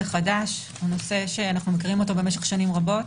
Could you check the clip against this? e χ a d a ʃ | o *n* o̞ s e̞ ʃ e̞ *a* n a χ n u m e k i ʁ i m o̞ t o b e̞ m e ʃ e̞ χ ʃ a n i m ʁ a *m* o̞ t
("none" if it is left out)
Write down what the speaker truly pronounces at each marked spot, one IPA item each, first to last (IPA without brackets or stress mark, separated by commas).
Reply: n, a, b